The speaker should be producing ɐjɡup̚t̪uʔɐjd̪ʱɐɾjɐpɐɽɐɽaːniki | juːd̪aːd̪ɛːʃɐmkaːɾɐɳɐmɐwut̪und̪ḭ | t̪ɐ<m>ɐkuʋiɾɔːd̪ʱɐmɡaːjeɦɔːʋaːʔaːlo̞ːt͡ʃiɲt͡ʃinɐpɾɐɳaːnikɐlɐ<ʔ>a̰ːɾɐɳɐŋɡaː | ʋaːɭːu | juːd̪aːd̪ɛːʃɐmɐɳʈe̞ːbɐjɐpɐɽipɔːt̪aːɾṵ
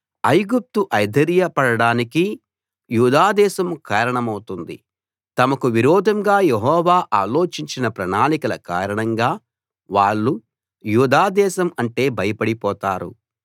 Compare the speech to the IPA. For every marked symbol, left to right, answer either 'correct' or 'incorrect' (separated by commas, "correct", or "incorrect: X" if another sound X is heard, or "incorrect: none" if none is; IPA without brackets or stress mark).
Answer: correct, incorrect: k